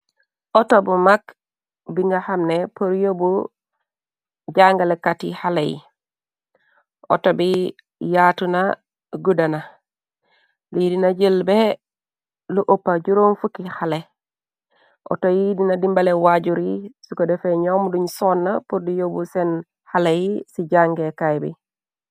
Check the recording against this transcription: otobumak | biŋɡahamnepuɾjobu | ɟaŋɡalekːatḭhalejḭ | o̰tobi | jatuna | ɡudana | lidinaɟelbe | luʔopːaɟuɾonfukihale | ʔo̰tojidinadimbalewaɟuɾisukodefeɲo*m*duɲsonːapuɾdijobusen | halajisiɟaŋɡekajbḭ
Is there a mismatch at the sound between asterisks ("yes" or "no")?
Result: no